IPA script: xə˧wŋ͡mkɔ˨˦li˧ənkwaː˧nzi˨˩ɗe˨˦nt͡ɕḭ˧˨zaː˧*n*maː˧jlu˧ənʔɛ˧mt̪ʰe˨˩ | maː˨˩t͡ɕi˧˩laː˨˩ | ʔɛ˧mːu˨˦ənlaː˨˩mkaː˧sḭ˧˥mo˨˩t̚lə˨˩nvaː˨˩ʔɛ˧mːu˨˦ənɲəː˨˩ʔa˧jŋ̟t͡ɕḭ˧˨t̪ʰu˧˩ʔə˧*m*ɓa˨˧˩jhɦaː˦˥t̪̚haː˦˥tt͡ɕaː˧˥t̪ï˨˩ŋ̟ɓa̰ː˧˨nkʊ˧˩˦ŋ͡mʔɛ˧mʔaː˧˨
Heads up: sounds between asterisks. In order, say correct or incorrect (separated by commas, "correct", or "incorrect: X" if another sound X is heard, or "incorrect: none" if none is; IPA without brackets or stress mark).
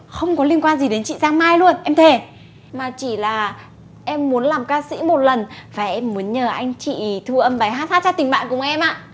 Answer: incorrect: ŋ, correct